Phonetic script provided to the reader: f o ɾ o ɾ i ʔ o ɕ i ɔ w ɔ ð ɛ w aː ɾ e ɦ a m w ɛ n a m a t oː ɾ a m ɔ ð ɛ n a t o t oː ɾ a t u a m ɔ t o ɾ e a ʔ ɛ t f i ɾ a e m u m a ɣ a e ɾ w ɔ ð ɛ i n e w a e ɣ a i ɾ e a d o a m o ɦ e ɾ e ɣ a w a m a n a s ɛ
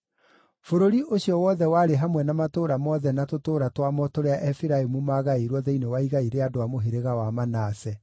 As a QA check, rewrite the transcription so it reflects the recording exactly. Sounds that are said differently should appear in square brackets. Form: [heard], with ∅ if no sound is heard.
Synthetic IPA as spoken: f o ɾ o ɾ i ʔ o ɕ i ɔ w ɔ ð ɛ w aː ɾ e ɦ a m w ɛ n a m a t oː ɾ a m ɔ ð ɛ n a t o t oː ɾ a t [w] a m ɔ t o ɾ e a ʔ ɛ [∅] f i ɾ a e m u m a ɣ a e ɾ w ɔ ð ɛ i n e w a [i] ɣ a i ɾ e a d o a m o ɦ e ɾ e ɣ a w a m a n a s ɛ